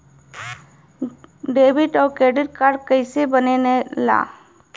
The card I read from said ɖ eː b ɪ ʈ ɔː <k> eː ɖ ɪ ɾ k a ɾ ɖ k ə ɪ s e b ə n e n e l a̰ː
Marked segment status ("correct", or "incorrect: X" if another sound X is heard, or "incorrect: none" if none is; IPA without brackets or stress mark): correct